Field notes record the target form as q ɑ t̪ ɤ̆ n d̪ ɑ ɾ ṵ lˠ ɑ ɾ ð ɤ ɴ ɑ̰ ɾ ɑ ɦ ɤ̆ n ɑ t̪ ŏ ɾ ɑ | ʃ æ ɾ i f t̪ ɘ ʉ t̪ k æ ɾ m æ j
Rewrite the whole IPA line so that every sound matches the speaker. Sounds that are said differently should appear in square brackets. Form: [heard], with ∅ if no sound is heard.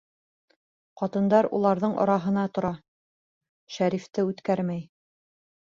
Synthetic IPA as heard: q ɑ t̪ ɤ̆ n d̪ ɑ ɾ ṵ lˠ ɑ ɾ ð ɤ ɴ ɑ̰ ɾ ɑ ɦ ɤ̆ n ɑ t̪ ŏ ɾ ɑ | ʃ æ ɾ i f t̪ ɘ ʉ t̪ k æ ɾ m æ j